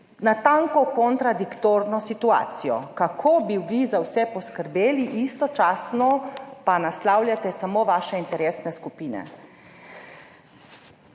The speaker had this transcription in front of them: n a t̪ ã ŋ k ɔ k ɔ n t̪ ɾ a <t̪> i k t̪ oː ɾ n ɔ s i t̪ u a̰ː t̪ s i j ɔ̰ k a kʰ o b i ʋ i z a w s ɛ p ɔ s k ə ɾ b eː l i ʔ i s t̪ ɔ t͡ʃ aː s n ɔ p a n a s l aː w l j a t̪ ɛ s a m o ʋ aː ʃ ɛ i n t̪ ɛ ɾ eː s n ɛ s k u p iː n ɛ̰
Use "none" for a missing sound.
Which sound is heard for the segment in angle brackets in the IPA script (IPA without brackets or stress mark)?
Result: d̪